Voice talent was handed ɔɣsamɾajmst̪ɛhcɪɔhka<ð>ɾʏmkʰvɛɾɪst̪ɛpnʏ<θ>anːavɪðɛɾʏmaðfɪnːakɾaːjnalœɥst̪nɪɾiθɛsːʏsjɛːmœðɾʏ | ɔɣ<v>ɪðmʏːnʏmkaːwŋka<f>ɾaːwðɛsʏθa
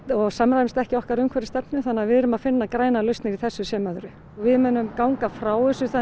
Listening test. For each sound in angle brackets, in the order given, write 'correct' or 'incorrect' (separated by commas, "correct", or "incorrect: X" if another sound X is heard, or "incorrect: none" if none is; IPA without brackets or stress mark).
incorrect: none, correct, correct, correct